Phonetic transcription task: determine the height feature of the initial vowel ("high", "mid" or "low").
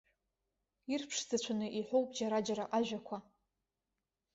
high